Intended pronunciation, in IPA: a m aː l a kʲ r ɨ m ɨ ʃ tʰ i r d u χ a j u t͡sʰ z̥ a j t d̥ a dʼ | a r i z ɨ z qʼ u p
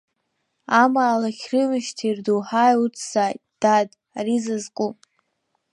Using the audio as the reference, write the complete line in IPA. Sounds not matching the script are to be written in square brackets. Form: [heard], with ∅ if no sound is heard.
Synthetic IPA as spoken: a m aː l a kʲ r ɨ m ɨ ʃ tʰ i r d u [ħ] a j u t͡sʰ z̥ a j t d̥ a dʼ | a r i z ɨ z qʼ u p